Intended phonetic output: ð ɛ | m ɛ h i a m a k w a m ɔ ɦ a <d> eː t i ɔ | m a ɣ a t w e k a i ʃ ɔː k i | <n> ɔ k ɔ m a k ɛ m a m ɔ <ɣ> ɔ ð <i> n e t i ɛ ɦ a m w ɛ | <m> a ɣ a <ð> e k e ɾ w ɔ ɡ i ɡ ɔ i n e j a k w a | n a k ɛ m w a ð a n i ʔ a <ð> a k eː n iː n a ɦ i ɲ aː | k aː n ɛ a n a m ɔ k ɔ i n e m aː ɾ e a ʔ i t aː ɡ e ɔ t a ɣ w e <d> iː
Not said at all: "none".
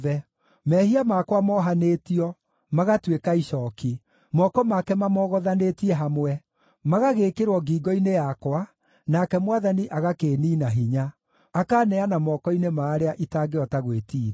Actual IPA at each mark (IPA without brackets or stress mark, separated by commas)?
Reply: n, m, ɣ, a, m, ɣ, ɣ, t